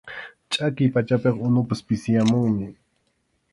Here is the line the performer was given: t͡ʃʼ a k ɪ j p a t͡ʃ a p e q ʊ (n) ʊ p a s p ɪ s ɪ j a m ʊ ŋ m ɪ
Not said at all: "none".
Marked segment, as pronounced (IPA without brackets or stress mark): n